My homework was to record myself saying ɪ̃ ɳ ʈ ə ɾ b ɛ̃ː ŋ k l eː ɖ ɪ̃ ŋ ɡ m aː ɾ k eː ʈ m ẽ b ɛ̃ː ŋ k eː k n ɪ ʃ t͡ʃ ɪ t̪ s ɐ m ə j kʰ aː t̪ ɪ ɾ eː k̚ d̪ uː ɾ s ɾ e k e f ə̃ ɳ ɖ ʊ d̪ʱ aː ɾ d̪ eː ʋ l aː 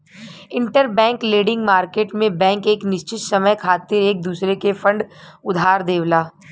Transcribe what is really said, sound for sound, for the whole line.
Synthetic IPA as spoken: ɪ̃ ɳ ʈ ə ɾ b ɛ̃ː ŋ k l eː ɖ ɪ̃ ŋ ɡ m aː ɾ k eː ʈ m ẽ b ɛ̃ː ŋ k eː k n ɪ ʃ t͡ʃ ɪ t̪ s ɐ m ə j kʰ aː t̪ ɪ ɾ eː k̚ d̪ uː s ɾ e k e f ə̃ ɳ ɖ ʊ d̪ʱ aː ɾ d̪ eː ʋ l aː